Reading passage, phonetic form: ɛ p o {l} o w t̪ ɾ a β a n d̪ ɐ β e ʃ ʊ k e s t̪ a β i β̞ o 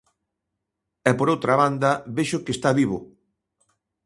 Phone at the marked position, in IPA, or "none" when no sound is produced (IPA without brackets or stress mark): ɾ